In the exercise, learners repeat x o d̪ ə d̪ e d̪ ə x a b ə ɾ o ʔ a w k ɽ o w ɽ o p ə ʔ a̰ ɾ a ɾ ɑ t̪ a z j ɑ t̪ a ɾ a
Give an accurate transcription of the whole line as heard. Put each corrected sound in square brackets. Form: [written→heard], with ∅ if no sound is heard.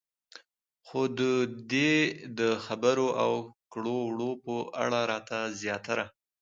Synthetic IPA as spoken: x o d̪ ə d̪ e d̪ ə x a b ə ɾ o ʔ a w k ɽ o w ɽ o p ə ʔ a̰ [ɾ→ɽ] a ɾ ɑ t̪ a z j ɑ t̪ a ɾ a